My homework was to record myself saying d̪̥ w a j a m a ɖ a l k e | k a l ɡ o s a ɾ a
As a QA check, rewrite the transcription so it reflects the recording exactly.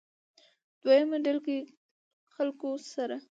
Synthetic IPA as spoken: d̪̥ w a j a m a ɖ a l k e | x a l k o s a ɾ a

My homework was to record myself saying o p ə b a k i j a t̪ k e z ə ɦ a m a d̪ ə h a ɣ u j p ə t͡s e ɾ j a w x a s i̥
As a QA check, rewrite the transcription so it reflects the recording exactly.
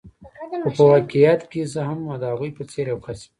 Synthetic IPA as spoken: o p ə w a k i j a t̪ k e z ə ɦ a m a d̪ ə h a ɣ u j p ə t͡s e ɾ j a w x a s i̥

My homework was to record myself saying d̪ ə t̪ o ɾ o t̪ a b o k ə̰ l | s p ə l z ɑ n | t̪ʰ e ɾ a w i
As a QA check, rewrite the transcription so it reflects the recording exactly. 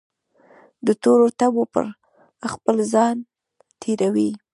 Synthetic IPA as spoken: d̪ ə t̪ o ɾ o t̪ a b o p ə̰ ɾ | x p ə l z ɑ n | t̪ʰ e ɾ a w i

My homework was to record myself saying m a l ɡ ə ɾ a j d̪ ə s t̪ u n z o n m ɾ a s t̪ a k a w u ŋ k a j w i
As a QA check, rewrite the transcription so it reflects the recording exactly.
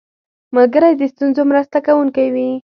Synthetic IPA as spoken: m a l ɡ ə ɾ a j d̪ ə s t̪ u n z o m ɾ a s t̪ a k a w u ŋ k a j w i

